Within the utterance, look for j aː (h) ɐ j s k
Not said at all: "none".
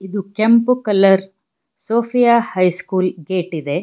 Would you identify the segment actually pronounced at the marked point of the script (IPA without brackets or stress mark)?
h